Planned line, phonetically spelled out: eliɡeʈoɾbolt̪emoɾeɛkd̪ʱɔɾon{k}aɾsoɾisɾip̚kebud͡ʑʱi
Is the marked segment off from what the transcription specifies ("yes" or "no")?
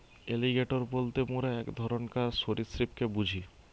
no